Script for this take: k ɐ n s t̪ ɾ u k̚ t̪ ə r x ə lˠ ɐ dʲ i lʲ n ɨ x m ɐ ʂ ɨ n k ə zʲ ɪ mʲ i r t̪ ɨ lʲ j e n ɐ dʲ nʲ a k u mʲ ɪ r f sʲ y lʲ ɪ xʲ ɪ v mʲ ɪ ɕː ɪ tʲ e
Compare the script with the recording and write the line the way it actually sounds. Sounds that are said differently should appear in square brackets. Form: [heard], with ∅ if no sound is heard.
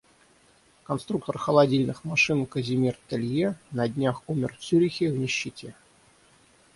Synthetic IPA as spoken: k ɐ n s t̪ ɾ u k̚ t̪ ə r x ə lˠ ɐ dʲ i lʲ n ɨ x m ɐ ʂ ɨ n k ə zʲ ɪ mʲ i r t̪ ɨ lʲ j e n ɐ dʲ nʲ a [x] u mʲ ɪ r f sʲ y [ɾʲ] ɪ xʲ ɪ v [nʲ] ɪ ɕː ɪ tʲ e

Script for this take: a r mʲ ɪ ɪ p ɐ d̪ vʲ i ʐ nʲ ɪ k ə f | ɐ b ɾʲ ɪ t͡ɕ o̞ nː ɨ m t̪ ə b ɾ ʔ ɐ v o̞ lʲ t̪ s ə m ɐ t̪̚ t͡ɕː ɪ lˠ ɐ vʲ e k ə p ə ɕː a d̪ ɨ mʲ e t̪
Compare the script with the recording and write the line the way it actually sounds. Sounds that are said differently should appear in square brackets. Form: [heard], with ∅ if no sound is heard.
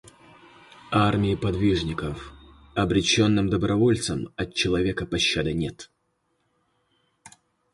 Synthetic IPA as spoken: a r mʲ ɪ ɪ p ɐ d̪ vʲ i ʐ nʲ ɪ k ə f | ɐ b ɾʲ ɪ t͡ɕ o̞ nː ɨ m [d̪] ə b ɾ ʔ ɐ v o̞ lʲ t̪ s ə m ɐ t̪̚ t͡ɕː ɪ lˠ ɐ vʲ e k ə p [ɐ] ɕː a d̪ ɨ [nʲ] e t̪

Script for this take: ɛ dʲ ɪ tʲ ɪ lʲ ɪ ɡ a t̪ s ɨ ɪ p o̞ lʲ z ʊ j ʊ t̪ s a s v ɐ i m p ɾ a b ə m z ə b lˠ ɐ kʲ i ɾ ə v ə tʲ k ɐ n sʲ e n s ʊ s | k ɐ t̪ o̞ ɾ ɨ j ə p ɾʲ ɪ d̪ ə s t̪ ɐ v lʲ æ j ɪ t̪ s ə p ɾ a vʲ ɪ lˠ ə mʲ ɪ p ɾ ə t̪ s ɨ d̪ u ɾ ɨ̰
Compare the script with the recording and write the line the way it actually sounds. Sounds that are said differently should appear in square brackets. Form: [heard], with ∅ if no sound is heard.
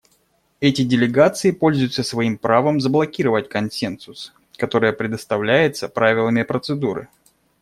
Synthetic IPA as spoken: ɛ [tʲ] ɪ [dʲ] ɪ lʲ ɪ ɡ a t̪ s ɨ ɪ p o̞ lʲ z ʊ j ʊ t̪ s [ə] s v ɐ i m p ɾ a [v] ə m z ə b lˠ ɐ kʲ i ɾ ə v ə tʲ k ɐ n sʲ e n s ʊ s | k ɐ t̪ o̞ ɾ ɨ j ə p ɾʲ ɪ d̪ ə s t̪ ɐ v lʲ æ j ɪ t̪ s ə p ɾ a vʲ ɪ lˠ ə mʲ ɪ p ɾ ə t̪ s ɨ d̪ u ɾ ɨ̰

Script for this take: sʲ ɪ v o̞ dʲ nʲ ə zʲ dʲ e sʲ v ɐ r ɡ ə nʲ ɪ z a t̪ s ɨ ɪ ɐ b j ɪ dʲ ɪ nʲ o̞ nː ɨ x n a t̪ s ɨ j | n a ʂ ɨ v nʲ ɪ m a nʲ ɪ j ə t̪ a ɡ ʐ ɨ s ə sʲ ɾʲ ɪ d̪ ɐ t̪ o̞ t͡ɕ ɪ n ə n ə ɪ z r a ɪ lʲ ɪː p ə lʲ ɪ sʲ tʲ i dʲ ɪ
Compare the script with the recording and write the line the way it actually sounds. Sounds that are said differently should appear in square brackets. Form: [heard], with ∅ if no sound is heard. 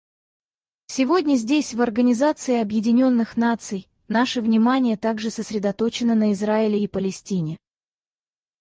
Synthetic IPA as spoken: sʲ ɪ v o̞ dʲ nʲ ə zʲ dʲ e sʲ v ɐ r ɡ ə nʲ ɪ z a t̪ s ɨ ɪ ɐ b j ɪ dʲ ɪ nʲ o̞ nː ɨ x n a t̪ s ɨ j | n a ʂ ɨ v nʲ ɪ m a nʲ ɪ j ə t̪ a ɡ ʐ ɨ s ə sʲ ɾʲ ɪ d̪ ɐ t̪ o̞ t͡ɕ ɪ n ə n ə ɪ z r a ɪ lʲ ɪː p ə lʲ ɪ sʲ tʲ i [nʲ] ɪ

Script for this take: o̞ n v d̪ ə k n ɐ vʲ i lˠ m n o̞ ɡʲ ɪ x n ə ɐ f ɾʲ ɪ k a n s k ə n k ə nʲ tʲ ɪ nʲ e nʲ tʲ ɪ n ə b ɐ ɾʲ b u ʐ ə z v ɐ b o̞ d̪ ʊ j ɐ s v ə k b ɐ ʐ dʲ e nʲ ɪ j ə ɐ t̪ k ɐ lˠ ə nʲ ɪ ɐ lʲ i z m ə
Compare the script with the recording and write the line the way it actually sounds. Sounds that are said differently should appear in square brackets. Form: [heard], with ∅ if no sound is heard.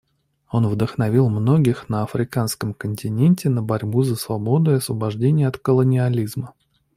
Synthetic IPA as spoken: o̞ n v d̪ ə [x] n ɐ vʲ i lˠ m n o̞ ɡʲ ɪ x n ə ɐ f ɾʲ ɪ k a n s k ə [m] k ə nʲ tʲ ɪ nʲ e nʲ tʲ ɪ n ə b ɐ ɾʲ b u [z] ə [s] v ɐ b o̞ d̪ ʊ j ɐ s v ə [∅] b ɐ ʐ dʲ e nʲ ɪ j ə ɐ t̪ k [ə] lˠ ə nʲ ɪ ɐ lʲ i z m ə

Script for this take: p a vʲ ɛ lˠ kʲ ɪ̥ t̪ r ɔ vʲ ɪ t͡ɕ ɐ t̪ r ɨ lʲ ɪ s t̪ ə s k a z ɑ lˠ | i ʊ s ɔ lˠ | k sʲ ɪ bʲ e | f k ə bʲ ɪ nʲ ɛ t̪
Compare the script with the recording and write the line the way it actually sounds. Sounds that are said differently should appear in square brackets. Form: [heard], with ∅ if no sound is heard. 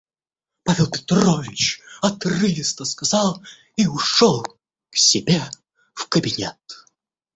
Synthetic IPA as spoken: p a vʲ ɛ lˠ [pʲ] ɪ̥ t̪ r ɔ vʲ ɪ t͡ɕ ɐ t̪ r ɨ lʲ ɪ s t̪ ə s k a z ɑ lˠ | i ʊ [ʂ] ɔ lˠ | k sʲ ɪ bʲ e | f k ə bʲ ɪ nʲ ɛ t̪

